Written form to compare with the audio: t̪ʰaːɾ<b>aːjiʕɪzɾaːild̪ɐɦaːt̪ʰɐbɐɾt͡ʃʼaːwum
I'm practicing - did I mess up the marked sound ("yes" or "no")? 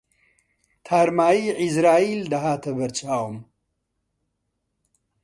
yes